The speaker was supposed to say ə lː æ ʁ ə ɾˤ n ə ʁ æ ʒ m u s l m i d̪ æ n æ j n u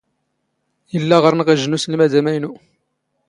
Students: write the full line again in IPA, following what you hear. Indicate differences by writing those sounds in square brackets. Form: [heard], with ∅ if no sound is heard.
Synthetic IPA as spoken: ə lː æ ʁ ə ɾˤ n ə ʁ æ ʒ [n] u s l m [æ] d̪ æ [m] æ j n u